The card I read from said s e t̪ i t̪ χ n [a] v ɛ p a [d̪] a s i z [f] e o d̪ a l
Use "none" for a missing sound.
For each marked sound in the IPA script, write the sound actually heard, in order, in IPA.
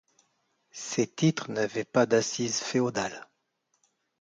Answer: a, d̪, f

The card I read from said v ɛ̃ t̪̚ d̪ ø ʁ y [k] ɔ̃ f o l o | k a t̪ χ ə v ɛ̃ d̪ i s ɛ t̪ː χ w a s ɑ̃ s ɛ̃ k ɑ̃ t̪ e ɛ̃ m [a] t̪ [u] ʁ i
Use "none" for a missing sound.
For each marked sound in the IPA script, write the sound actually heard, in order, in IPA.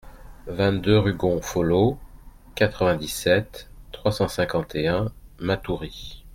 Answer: ɡ, a, u

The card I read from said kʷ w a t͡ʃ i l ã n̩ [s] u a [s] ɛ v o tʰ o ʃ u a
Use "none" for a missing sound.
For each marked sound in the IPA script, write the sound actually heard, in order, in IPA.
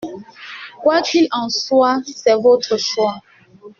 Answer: s, s

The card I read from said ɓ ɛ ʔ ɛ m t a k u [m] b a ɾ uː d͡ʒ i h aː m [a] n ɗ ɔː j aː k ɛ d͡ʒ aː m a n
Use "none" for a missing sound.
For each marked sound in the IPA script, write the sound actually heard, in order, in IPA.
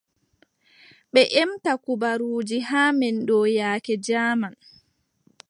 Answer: none, ɛ

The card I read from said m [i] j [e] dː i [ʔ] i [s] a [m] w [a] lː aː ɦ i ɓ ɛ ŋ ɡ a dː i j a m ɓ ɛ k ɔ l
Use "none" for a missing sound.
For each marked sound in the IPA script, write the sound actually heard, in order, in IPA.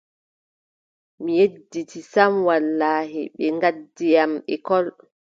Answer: i, e, t, s, m, a

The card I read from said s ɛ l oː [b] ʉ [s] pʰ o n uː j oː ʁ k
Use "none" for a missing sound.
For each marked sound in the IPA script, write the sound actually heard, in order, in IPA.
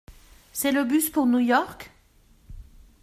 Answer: b, s

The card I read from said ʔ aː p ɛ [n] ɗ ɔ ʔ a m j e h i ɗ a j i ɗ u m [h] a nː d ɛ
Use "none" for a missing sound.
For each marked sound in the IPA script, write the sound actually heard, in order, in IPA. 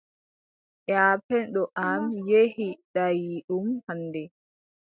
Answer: n, h

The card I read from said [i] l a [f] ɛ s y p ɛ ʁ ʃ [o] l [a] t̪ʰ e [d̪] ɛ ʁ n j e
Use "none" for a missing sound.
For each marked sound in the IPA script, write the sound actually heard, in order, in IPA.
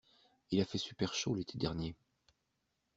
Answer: i, f, o, e, d̪

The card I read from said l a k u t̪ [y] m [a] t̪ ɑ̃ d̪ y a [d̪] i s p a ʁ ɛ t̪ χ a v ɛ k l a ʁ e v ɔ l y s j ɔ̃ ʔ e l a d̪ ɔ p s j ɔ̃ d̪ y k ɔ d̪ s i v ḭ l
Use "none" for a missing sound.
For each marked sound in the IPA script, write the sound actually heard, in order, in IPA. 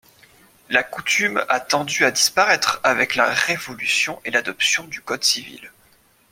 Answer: y, a, d̪

